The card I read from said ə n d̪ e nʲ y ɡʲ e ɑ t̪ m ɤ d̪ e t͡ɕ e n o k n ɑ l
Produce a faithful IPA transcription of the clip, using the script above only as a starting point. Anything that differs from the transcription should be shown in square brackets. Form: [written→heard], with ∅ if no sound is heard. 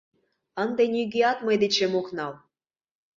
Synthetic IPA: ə n d̪ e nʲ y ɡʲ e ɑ t̪ m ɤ d̪ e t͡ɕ e [n→m] o k n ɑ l